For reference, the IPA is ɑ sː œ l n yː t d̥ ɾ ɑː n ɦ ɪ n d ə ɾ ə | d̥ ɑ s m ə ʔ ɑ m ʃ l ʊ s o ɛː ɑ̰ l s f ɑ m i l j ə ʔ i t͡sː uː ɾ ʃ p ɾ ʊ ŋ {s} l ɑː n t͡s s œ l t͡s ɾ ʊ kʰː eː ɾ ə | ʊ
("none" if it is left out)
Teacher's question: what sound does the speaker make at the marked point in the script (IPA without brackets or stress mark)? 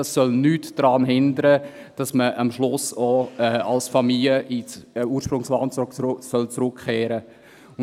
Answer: s